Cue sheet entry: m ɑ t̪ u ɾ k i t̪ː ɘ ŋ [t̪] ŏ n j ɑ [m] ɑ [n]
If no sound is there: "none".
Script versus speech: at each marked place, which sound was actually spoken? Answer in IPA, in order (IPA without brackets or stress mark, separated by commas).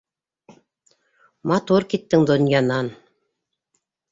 d̪, n, n